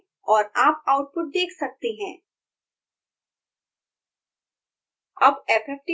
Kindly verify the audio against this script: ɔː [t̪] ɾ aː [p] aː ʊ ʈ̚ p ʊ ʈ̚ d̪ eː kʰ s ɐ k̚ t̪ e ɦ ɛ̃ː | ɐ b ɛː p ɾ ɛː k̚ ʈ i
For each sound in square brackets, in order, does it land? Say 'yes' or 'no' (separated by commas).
no, yes